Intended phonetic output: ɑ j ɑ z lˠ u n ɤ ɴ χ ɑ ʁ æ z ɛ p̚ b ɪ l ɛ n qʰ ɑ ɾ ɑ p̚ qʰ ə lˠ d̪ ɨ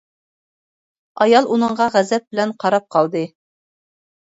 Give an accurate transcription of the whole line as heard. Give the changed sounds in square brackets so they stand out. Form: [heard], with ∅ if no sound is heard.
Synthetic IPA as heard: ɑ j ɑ [∅] lˠ u n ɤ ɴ [ʁ] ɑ ʁ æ z ɛ p̚ b ɪ l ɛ n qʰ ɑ ɾ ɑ p̚ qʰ [ɑ] lˠ d̪ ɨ